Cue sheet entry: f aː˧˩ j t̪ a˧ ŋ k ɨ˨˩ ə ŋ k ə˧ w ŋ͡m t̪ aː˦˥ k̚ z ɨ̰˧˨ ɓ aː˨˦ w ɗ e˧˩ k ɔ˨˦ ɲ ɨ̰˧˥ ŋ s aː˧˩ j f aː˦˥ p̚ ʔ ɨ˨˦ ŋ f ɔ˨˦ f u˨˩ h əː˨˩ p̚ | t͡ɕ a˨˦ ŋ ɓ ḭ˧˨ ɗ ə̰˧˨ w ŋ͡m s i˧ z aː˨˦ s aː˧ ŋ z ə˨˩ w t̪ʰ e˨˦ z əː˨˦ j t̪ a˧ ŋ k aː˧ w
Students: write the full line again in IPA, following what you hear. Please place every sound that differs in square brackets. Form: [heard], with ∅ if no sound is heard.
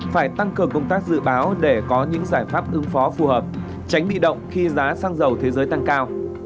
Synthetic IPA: f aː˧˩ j t̪ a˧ ŋ k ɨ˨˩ ə ŋ k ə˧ w ŋ͡m t̪ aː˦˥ k̚ z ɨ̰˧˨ ɓ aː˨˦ w ɗ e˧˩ k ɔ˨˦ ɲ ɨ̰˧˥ ŋ [z] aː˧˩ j f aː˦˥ p̚ ʔ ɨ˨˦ ŋ f ɔ˨˦ f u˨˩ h əː˨˩ p̚ | t͡ɕ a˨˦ ŋ ɓ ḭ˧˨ ɗ ə̰˧˨ w ŋ͡m [x] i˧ z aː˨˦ s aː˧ ŋ z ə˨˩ w t̪ʰ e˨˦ z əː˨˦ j t̪ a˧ ŋ k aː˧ w

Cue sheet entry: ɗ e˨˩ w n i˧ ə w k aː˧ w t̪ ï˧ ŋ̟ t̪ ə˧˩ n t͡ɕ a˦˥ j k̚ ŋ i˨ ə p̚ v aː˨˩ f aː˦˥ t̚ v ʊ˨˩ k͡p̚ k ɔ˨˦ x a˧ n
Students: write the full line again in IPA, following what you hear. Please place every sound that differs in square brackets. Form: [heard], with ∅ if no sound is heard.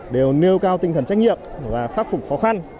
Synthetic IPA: ɗ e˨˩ w n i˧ ə w k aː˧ w t̪ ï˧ ŋ̟ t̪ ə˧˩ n t͡ɕ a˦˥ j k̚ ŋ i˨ ə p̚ v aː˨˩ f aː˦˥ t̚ [f] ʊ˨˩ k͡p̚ [x] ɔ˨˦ x a˧ n

